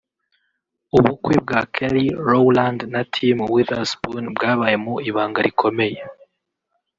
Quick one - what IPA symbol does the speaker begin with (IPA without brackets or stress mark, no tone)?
u